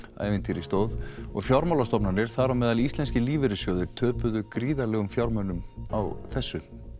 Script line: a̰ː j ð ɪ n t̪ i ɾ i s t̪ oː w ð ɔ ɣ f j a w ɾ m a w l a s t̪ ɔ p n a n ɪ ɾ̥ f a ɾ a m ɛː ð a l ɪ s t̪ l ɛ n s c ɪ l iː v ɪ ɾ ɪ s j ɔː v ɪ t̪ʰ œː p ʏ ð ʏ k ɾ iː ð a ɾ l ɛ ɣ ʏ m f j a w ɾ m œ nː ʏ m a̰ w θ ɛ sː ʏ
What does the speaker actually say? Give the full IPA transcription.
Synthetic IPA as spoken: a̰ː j v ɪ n t̪ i ɾ i s t̪ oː w ð ɔ ɣ f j a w ɾ m a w l a s t̪ ɔ p n a n ɪ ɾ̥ θ a ɾ a m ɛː ð a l i s t̪ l ɛ n s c ɪ l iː v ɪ ɾ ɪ s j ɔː ð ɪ t̪ʰ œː p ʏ ð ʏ k ɾ iː ð a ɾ l ɛ ɣ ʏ m f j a w ɾ m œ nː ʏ m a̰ w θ ɛ sː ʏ